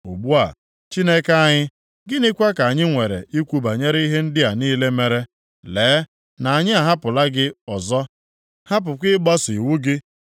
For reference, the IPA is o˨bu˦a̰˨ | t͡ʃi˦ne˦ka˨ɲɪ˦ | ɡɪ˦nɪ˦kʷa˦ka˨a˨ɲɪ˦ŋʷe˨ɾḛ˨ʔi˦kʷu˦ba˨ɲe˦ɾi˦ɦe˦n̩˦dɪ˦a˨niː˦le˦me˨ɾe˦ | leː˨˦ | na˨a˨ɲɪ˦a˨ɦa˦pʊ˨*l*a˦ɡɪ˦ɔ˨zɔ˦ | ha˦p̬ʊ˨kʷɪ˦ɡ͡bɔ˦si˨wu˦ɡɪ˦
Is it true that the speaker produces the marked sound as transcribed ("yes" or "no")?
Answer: yes